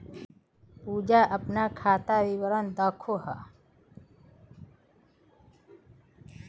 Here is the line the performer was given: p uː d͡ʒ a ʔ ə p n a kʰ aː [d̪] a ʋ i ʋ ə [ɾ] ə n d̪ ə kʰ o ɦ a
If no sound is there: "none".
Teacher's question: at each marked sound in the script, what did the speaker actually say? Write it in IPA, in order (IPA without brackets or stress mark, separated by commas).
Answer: t̪, ɾ